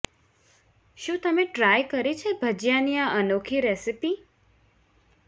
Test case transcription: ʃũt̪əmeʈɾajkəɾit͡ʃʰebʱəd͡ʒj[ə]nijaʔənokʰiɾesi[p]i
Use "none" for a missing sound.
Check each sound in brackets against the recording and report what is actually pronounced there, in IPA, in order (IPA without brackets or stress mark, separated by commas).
a, p